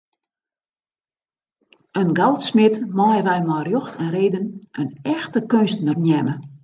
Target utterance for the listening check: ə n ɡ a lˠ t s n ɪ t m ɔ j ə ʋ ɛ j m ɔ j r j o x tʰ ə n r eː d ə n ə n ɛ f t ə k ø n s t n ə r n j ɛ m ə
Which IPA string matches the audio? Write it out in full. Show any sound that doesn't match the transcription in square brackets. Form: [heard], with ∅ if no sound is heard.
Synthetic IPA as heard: ə n ɡ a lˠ t s [m] ɪ t m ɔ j ə ʋ ɛ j m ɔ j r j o x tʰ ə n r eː d ə n ə n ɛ [x] t ə k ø n s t n ə r n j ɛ m ə